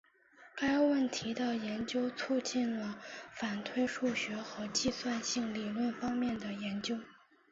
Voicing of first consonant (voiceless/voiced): voiceless